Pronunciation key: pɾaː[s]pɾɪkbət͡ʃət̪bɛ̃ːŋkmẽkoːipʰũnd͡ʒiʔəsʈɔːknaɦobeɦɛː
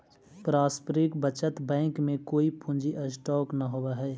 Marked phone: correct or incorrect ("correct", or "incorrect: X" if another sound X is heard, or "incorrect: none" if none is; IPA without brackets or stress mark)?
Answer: correct